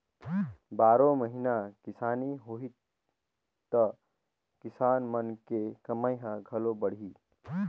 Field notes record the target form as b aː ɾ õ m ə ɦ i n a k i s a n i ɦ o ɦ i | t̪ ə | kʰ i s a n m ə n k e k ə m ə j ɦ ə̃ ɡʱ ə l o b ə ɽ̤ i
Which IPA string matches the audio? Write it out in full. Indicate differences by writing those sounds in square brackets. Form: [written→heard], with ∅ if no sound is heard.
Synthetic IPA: b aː ɾ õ m ə ɦ i n a k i s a n i ɦ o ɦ i | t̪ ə | [kʰ→k] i s a n m ə n k e k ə m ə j ɦ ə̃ ɡʱ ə l o b ə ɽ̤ i